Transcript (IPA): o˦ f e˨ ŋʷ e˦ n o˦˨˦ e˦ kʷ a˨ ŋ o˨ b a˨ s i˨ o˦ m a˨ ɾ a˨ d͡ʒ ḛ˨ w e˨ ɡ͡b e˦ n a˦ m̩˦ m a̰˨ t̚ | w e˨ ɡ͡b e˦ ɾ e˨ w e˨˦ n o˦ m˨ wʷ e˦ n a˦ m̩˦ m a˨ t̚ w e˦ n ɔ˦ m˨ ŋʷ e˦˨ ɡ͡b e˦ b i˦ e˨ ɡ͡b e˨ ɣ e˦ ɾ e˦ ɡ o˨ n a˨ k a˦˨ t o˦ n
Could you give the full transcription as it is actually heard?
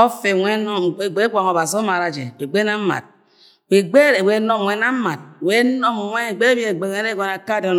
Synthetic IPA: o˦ f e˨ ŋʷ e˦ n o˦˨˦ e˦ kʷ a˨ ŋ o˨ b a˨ s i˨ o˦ m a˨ ɾ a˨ d͡ʒ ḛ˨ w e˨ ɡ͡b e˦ n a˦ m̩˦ m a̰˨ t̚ | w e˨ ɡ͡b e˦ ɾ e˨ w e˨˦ n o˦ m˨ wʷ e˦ n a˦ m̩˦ m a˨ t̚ w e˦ n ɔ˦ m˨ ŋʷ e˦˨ ɡ͡b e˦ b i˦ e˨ ɡ͡b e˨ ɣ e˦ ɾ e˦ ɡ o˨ n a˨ k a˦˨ d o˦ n